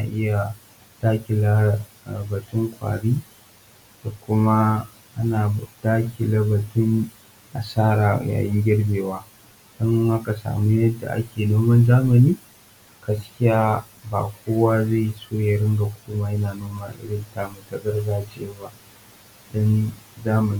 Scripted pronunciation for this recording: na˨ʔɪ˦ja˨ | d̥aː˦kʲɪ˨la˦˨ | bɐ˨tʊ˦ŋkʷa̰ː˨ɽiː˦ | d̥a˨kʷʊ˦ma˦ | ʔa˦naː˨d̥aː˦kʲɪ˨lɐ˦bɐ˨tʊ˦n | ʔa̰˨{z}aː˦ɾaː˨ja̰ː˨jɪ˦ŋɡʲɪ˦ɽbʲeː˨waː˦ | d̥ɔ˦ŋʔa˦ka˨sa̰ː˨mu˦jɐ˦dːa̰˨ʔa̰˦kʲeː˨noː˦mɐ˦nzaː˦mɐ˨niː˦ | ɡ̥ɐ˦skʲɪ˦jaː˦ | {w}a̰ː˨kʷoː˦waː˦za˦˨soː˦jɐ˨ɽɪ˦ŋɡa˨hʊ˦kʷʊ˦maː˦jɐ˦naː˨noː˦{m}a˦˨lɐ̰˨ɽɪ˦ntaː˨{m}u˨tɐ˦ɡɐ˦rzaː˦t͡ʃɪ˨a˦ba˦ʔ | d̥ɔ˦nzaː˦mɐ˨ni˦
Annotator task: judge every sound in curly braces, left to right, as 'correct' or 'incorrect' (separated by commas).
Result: incorrect, incorrect, correct, correct